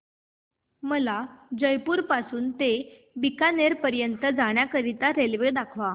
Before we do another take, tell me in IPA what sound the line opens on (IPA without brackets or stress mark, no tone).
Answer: m